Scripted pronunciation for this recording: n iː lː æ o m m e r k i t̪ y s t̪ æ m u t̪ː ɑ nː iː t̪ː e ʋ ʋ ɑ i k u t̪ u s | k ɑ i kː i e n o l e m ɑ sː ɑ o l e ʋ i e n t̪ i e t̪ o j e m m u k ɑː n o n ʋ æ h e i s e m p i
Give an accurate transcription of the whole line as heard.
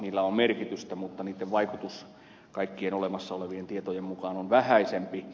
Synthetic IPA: n iː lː æ o m m e r k i t̪ y s t̪ æ m u t̪ː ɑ n iː t̪ː e ʋ ʋ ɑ i k u t̪ u s | k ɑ i kː i e n o l e m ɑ sː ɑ o l e ʋ i e n t̪ i e t̪ o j e m m u k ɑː n o n ʋ æ h æ i s e m p i